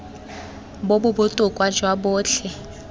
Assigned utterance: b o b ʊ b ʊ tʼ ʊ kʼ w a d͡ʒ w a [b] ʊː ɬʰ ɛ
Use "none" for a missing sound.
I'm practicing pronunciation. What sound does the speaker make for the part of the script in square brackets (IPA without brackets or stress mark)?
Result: b